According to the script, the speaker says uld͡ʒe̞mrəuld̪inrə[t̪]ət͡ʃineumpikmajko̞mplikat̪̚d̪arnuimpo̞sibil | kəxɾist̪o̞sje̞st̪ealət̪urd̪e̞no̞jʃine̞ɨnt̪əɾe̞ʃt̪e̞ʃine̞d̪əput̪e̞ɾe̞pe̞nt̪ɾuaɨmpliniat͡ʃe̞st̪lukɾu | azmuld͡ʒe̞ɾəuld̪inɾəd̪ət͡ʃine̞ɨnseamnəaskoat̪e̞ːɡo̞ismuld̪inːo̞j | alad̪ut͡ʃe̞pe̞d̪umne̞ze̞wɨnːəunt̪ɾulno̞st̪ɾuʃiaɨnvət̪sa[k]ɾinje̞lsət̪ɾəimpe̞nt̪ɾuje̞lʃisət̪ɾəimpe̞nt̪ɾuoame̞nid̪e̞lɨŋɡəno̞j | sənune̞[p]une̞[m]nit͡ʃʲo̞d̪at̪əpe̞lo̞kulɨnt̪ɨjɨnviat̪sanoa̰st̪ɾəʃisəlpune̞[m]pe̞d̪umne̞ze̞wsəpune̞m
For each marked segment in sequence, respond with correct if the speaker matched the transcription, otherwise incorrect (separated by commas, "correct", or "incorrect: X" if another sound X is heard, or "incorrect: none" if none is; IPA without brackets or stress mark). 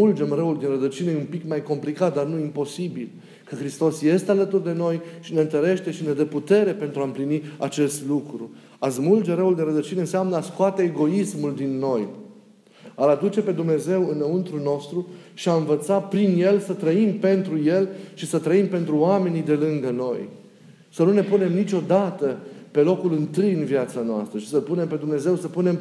incorrect: d̪, incorrect: p, correct, correct, correct